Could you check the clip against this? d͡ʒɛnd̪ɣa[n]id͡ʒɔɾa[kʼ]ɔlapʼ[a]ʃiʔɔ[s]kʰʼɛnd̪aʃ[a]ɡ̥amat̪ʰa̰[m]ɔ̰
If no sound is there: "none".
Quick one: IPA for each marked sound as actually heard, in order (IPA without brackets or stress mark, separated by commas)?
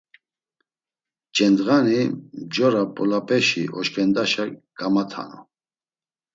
n, pʼ, ɛ, ʃ, a, n